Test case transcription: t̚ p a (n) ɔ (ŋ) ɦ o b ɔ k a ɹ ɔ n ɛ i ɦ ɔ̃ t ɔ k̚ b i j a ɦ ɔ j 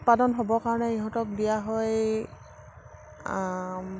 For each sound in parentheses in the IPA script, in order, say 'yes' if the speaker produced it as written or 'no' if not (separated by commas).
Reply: no, no